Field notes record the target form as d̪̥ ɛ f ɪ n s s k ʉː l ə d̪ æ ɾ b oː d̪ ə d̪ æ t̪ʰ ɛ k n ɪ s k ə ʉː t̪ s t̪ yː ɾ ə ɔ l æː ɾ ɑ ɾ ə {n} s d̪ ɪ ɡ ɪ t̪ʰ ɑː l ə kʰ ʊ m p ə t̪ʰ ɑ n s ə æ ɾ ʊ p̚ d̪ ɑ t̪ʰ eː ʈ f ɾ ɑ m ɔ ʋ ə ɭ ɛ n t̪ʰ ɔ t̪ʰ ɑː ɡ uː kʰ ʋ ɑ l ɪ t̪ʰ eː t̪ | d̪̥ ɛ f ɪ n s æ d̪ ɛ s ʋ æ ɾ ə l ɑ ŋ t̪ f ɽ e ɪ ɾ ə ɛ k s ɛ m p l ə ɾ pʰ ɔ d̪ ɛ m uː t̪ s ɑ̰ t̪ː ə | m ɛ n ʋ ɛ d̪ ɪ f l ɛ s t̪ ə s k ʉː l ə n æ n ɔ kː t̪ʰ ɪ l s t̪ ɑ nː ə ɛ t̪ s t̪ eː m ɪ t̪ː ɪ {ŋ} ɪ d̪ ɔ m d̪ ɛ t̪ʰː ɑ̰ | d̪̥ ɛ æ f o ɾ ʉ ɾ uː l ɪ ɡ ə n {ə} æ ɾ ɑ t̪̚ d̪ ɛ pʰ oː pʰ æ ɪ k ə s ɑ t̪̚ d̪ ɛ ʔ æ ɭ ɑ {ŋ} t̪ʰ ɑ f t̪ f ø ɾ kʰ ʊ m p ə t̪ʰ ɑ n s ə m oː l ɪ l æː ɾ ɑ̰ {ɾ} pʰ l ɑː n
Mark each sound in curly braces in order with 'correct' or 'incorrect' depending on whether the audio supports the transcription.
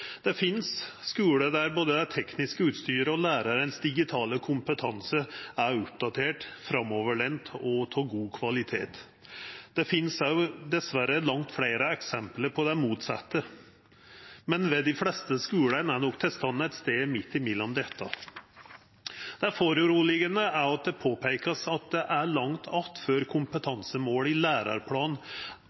correct, incorrect, correct, correct, correct

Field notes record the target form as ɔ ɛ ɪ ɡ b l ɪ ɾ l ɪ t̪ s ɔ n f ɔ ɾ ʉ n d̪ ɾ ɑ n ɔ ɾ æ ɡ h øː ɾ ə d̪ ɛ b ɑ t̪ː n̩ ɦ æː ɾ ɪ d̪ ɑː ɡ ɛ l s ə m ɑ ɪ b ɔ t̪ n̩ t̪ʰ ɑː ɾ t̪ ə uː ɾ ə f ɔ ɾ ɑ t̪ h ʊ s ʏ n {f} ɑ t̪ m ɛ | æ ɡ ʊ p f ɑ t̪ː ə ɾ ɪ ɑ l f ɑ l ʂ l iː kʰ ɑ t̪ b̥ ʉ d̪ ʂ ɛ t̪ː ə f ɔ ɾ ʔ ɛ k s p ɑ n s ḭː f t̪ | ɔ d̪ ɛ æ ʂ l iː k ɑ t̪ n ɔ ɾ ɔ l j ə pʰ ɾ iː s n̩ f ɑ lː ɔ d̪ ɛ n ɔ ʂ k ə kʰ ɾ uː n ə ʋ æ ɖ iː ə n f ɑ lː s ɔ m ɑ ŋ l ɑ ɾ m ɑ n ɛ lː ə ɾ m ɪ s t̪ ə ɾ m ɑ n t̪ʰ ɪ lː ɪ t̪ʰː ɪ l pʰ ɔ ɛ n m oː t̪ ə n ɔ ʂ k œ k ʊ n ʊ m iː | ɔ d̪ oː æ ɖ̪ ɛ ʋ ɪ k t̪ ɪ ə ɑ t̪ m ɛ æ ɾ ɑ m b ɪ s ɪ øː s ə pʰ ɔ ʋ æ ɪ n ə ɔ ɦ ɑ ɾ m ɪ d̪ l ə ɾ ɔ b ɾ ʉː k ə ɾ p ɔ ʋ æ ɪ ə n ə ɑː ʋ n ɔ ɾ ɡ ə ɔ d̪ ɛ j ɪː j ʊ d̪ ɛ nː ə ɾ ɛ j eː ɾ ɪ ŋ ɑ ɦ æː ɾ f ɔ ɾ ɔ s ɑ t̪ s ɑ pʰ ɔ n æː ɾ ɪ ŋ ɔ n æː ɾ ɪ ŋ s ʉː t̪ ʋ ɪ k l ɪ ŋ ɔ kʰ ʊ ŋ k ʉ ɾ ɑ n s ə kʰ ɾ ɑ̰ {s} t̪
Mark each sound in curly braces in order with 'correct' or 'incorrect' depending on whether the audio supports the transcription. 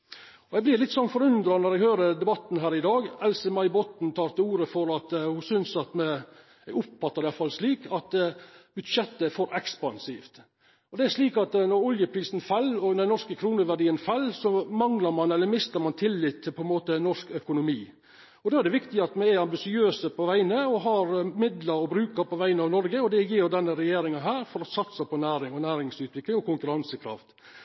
incorrect, incorrect

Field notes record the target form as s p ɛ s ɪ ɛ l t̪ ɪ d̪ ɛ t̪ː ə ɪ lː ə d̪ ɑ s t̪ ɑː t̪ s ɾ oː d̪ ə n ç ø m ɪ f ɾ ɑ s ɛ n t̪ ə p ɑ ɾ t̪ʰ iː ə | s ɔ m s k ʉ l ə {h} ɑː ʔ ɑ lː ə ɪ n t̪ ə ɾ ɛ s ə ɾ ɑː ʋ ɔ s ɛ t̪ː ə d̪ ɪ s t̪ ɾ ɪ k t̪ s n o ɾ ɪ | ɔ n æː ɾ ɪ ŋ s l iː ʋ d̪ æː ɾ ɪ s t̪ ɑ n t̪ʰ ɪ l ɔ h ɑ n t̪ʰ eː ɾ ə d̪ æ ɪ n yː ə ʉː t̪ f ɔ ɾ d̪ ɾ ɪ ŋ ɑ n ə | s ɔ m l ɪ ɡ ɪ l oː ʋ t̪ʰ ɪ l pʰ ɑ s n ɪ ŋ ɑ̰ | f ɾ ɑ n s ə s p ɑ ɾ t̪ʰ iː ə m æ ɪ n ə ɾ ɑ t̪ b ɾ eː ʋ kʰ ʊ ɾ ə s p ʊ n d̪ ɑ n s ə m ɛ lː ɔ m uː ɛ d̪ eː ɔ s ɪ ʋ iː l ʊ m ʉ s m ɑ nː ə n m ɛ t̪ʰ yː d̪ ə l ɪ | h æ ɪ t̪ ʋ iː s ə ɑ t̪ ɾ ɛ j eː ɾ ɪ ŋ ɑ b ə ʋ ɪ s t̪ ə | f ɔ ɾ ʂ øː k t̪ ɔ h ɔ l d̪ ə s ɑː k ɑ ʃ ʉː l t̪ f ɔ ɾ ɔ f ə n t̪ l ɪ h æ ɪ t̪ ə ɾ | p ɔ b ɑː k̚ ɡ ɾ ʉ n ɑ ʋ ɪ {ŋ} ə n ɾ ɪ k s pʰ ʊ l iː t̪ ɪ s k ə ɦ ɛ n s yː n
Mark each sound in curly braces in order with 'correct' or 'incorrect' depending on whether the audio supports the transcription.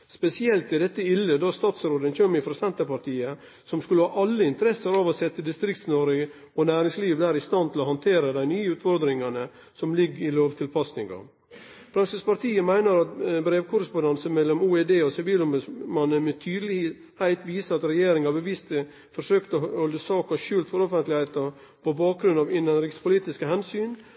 correct, incorrect

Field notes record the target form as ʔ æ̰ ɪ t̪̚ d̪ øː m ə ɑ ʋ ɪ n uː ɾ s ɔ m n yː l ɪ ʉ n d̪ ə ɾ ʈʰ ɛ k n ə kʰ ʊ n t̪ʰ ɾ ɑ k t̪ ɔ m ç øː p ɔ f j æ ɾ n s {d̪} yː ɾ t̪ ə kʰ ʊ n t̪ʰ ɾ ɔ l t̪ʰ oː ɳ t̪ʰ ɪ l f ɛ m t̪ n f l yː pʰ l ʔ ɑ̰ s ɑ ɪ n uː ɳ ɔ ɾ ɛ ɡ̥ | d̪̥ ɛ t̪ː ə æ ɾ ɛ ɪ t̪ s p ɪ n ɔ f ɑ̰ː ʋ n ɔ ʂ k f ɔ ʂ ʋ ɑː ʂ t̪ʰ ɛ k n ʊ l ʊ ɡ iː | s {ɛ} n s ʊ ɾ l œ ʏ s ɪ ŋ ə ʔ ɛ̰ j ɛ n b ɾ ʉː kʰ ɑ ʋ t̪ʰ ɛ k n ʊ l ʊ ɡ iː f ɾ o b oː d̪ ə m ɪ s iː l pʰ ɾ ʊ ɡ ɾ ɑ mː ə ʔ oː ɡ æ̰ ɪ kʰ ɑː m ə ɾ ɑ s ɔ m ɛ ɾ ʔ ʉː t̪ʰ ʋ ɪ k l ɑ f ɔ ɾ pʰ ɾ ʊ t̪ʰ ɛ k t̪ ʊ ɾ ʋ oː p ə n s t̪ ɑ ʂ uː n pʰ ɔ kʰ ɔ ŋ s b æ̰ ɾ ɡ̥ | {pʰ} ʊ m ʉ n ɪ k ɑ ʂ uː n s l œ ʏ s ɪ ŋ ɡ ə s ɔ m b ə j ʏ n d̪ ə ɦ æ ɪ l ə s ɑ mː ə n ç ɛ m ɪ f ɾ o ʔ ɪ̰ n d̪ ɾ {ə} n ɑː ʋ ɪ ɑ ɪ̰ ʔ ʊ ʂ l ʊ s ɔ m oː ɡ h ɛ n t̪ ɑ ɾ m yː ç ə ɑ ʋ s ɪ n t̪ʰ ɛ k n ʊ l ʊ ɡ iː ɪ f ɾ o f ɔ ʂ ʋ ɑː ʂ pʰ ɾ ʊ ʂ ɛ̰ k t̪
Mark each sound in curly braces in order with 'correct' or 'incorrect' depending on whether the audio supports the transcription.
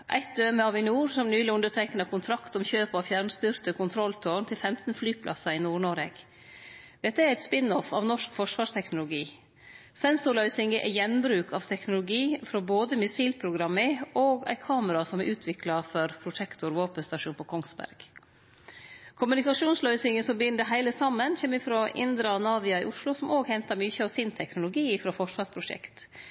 incorrect, correct, incorrect, incorrect

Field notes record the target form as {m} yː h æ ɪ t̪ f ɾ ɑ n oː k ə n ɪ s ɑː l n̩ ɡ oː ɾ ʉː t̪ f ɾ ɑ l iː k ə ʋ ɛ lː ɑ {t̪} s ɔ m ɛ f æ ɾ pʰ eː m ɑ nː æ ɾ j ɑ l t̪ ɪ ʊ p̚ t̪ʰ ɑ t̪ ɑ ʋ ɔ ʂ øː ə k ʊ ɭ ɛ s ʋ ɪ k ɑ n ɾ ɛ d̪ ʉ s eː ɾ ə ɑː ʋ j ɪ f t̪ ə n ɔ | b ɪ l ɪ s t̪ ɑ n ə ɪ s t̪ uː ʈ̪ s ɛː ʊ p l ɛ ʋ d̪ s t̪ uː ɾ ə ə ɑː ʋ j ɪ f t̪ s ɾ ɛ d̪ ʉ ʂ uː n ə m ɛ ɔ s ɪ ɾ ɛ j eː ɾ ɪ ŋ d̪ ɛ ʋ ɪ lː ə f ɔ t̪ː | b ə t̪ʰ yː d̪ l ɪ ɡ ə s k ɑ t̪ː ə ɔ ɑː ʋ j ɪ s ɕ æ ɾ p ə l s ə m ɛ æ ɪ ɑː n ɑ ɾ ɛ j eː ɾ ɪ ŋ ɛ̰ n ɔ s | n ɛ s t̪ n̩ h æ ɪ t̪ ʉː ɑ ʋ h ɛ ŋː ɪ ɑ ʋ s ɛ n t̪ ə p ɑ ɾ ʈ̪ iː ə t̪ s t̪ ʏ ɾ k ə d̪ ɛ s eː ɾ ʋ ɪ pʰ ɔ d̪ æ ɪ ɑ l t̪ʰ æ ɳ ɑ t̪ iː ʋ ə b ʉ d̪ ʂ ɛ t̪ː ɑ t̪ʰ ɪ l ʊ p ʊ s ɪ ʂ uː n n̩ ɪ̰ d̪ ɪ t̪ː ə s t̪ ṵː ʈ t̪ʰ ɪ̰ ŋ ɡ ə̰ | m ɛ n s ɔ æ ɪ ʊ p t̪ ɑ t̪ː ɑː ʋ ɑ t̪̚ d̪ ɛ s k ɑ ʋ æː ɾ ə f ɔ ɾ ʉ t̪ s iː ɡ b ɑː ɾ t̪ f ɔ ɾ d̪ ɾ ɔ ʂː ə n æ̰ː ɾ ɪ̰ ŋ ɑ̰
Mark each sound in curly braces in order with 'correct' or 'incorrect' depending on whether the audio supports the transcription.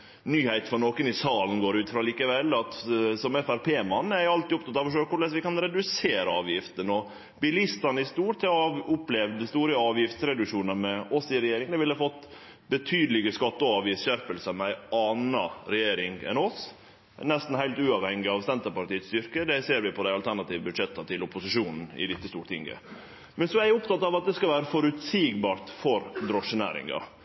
incorrect, correct

